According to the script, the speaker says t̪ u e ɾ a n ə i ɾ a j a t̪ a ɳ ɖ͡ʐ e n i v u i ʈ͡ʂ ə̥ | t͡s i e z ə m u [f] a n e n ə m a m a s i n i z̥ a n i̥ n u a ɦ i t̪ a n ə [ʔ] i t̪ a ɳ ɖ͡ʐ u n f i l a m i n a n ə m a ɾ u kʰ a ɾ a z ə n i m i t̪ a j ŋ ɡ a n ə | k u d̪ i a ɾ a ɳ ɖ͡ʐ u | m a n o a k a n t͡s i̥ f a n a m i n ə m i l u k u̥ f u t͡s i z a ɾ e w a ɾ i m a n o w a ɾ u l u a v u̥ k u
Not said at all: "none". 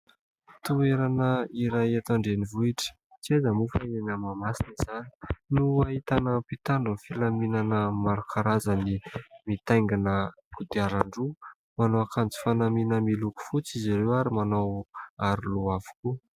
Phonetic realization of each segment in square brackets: f, p

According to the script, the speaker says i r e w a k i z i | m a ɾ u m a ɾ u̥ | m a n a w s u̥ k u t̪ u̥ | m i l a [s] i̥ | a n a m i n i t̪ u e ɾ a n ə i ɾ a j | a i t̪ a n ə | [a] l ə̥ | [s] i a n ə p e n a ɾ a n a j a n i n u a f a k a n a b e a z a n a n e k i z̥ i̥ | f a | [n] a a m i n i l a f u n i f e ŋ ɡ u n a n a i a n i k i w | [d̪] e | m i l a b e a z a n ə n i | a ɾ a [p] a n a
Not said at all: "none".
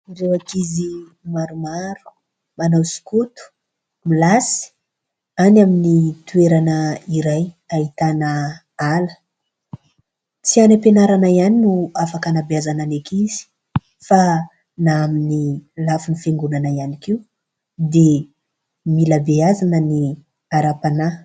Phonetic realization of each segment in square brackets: s, a, t͡s, n, d̪, p

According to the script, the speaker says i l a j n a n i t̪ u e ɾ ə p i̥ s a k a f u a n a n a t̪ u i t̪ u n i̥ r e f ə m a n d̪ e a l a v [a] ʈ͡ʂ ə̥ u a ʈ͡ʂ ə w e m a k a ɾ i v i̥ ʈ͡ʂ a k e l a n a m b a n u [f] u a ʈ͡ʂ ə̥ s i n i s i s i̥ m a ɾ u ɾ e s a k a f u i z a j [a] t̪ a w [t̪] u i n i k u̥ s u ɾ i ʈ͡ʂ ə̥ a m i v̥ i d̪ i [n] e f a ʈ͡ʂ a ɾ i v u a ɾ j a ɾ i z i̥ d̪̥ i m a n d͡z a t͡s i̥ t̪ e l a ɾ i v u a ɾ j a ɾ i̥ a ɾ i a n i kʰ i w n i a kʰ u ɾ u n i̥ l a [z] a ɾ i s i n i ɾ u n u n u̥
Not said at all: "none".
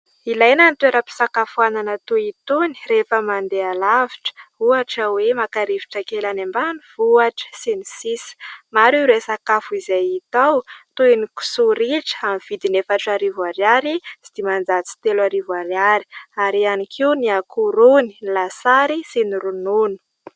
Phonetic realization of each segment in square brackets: i, v, i, t̪, n, s

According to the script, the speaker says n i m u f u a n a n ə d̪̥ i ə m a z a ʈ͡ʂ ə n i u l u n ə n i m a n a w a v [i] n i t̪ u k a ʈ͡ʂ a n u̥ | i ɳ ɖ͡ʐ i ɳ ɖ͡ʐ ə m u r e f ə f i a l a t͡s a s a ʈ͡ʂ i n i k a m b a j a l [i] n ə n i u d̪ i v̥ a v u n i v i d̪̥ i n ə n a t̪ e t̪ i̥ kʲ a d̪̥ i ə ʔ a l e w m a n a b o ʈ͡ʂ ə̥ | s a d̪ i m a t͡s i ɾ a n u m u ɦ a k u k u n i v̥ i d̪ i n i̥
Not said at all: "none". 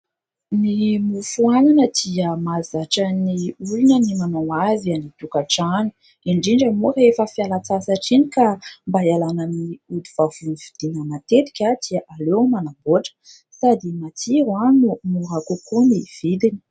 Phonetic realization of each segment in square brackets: a, a

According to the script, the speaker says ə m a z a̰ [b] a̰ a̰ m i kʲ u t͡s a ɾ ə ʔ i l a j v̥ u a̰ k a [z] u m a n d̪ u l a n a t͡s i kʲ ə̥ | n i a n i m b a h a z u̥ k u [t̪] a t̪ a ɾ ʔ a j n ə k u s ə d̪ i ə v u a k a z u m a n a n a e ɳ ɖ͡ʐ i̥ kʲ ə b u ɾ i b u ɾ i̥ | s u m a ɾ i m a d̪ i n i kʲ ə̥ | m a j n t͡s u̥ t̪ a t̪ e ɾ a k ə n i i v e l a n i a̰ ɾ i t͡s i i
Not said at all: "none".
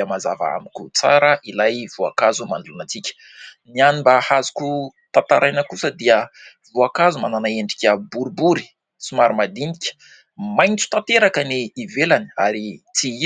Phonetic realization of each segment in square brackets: v, z, t̪

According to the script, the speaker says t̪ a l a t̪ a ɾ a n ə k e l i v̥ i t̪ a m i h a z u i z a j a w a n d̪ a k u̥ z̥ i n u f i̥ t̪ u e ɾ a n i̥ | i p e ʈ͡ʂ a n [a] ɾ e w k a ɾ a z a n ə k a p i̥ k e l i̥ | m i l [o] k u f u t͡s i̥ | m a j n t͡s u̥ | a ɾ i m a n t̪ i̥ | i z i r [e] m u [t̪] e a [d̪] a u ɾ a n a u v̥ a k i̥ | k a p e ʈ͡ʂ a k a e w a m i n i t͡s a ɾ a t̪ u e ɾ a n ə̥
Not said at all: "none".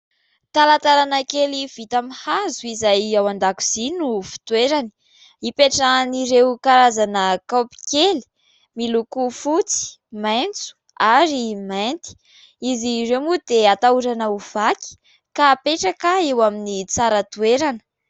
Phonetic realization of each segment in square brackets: i, u, e, d̪, t̪

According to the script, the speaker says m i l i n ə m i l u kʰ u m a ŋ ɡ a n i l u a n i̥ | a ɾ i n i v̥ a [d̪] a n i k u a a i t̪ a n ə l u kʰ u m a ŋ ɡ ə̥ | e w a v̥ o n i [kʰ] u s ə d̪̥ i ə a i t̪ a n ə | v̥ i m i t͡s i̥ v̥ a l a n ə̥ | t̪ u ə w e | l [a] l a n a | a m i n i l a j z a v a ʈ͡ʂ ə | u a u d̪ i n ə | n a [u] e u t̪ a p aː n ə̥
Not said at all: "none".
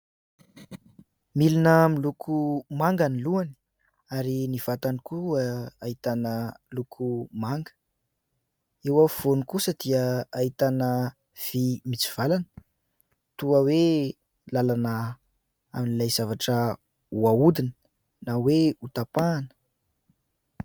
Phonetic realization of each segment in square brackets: t̪, k, a, w

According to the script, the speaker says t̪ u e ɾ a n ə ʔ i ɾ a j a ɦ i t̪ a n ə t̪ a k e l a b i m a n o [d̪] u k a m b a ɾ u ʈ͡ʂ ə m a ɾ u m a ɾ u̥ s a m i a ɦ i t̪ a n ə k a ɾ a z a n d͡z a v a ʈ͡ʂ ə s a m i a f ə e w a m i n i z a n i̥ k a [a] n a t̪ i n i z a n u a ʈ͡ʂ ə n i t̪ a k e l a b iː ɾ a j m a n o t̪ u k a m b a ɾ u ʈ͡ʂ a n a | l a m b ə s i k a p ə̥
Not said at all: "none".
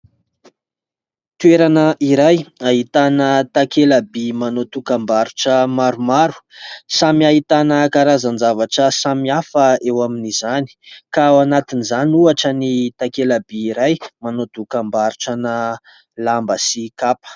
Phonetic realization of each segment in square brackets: t̪, a

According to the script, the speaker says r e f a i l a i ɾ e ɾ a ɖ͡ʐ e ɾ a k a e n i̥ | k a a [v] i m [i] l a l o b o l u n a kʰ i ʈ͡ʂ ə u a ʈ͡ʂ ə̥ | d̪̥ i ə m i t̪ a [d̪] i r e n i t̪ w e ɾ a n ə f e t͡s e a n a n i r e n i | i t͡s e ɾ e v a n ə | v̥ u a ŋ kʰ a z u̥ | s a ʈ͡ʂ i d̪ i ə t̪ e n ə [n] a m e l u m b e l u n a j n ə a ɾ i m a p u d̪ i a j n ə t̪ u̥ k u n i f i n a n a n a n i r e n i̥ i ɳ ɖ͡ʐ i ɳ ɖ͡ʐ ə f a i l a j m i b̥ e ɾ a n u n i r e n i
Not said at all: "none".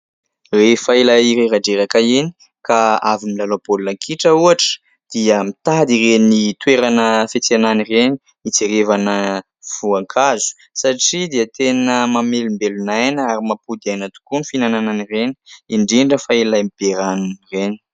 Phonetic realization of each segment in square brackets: v, i, d̪, m

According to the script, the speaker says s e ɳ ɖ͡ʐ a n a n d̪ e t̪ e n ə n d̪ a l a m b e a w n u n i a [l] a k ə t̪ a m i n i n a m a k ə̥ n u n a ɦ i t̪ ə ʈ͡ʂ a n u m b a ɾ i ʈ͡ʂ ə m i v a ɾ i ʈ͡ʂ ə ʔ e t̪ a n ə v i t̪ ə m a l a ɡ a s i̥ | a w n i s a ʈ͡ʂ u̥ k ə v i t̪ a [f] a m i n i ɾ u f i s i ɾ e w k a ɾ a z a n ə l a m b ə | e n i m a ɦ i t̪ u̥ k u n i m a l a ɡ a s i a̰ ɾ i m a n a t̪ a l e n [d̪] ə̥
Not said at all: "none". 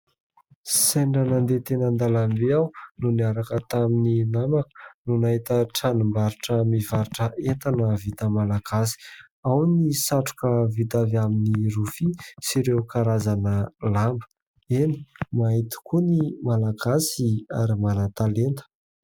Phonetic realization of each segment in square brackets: ɾ, v, t̪

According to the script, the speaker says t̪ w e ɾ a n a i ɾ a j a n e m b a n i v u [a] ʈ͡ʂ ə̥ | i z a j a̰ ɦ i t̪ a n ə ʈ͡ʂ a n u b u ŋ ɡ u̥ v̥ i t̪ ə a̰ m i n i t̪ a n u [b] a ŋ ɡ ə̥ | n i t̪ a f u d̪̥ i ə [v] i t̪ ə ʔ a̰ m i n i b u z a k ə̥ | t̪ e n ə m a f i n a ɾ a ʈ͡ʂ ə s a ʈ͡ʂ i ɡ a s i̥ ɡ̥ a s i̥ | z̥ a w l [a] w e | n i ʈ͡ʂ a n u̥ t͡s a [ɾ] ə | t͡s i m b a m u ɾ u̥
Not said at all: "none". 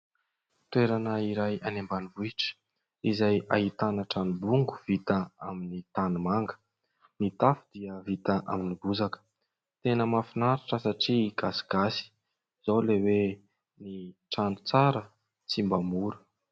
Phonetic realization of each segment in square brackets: i, m, v, e, ɾ

